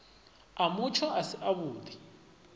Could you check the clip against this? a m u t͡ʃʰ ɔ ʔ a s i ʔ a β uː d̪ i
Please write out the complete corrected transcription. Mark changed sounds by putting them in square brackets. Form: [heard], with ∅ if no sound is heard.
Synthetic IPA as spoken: a m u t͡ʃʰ ɔ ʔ a s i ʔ a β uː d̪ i